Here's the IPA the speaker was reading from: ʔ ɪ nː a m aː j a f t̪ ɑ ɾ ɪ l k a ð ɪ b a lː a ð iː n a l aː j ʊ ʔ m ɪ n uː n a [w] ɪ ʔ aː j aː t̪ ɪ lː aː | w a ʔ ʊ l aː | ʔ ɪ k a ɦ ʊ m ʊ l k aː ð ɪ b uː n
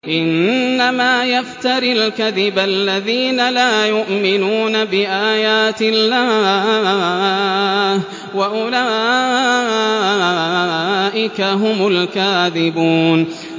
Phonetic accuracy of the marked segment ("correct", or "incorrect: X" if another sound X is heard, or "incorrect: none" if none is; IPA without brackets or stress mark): incorrect: b